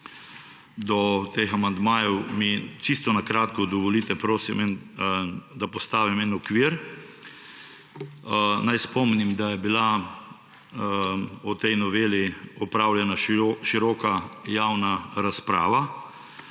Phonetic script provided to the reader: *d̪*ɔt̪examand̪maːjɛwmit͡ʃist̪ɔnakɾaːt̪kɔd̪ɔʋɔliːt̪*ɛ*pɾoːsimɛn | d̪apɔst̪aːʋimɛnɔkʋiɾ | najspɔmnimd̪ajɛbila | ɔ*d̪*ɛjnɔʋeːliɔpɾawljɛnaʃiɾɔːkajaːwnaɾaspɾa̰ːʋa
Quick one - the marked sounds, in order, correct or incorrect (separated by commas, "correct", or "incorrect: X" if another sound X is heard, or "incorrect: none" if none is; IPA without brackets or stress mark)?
correct, correct, incorrect: t̪